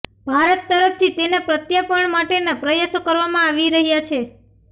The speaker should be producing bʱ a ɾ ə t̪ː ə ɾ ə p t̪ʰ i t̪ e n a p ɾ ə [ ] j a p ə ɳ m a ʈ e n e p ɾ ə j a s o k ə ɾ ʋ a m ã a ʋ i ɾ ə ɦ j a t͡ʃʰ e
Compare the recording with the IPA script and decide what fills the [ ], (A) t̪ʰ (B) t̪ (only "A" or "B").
B